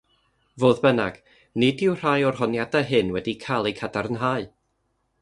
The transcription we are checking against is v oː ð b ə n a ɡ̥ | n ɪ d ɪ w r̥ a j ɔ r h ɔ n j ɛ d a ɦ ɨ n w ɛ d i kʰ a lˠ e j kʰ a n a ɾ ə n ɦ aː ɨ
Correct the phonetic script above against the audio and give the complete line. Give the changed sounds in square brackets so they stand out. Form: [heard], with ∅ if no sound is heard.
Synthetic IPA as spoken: v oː ð b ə n a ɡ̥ | n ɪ d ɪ w r̥ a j ɔ r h ɔ n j [a] d a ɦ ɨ n w ɛ d i kʰ a lˠ e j kʰ a [d] a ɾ ə n ɦ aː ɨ